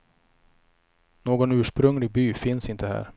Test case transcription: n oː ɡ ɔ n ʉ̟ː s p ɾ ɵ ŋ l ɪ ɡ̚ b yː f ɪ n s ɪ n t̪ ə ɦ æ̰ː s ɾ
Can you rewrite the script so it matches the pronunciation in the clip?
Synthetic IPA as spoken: n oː ɡ ɔ n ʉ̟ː ʂ p ɾ ɵ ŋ l ɪ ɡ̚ b yː f ɪ n s ɪ n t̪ ə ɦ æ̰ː ɾ